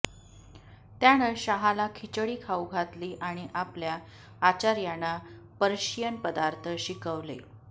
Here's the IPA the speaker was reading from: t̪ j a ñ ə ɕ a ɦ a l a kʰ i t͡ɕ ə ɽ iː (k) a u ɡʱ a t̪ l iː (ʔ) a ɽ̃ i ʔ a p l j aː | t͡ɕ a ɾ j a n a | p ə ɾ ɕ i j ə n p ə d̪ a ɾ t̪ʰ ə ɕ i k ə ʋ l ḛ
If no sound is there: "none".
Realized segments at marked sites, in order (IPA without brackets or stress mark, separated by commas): kʰ, ʔ